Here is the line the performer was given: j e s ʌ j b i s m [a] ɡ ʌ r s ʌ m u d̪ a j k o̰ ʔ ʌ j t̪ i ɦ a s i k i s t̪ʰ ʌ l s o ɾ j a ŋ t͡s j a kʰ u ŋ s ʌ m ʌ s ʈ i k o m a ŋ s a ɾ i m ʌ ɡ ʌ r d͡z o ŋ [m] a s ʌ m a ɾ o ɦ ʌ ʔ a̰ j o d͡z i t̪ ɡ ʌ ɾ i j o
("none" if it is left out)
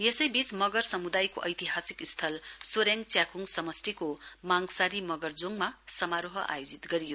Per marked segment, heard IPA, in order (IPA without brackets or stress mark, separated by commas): ʌ, m